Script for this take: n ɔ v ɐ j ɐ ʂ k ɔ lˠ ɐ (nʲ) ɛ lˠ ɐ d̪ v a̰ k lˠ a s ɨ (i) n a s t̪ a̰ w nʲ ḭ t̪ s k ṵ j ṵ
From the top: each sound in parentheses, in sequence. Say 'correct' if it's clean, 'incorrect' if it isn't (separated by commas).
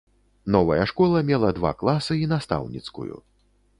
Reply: incorrect, correct